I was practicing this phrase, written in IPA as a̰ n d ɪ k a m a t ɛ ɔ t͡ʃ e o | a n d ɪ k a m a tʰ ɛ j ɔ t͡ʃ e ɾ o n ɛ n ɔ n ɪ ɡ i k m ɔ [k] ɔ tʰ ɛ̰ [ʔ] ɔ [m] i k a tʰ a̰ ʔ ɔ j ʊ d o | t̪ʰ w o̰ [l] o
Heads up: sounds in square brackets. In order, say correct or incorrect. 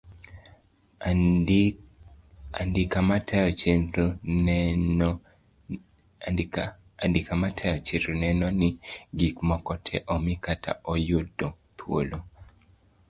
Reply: correct, correct, correct, correct

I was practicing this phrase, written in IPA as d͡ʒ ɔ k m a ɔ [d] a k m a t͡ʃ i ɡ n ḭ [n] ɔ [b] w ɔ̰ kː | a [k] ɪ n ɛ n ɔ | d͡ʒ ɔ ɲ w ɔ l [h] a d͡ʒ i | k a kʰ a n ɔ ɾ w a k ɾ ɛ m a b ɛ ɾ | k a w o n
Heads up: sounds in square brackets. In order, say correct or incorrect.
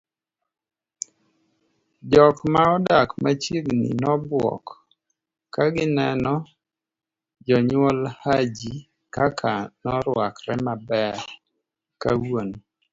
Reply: correct, correct, correct, incorrect, correct

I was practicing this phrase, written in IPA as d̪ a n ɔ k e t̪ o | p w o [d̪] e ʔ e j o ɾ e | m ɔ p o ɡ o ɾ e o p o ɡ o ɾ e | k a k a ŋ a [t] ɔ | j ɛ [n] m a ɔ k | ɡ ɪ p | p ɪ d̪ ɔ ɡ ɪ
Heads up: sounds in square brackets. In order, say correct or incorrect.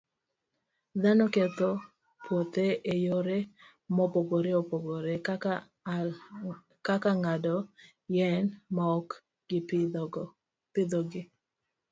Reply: incorrect, incorrect, correct

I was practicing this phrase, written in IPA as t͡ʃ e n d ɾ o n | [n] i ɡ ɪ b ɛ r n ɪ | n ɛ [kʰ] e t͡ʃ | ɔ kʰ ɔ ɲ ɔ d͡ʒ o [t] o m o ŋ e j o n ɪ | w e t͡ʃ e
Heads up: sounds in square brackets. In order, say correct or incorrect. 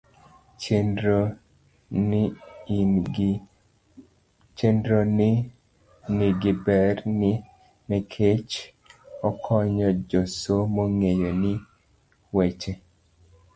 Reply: correct, correct, incorrect

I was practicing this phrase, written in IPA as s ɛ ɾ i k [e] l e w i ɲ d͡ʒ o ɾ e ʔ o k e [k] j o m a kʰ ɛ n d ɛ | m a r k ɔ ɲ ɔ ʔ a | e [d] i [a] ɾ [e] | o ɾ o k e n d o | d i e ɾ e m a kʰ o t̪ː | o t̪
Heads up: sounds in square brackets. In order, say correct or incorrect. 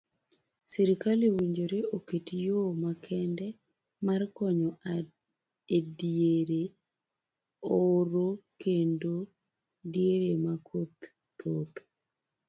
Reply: incorrect, incorrect, correct, incorrect, correct

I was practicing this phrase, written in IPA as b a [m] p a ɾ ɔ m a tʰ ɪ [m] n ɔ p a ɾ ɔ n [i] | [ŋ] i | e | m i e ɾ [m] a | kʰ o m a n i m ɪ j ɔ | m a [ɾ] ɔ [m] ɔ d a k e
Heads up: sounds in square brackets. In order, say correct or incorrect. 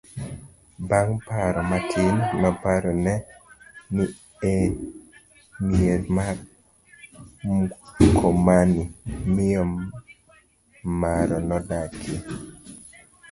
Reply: incorrect, incorrect, incorrect, incorrect, correct, correct, incorrect

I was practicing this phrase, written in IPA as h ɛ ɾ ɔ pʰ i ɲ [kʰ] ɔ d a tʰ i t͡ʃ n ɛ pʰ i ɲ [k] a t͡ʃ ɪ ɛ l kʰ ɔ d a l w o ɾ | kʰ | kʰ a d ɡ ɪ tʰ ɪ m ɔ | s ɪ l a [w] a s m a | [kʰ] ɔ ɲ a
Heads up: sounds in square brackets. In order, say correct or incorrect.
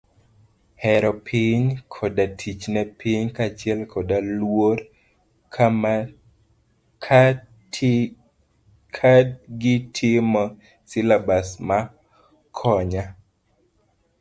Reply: correct, correct, incorrect, correct

